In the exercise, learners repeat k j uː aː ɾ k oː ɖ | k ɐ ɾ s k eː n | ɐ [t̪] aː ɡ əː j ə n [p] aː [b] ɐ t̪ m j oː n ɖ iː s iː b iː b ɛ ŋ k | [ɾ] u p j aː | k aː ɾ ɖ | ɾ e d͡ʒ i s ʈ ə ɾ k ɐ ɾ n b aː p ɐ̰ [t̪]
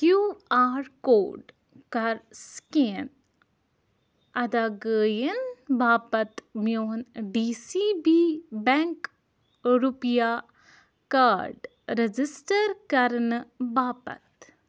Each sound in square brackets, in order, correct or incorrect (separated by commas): incorrect, incorrect, incorrect, correct, correct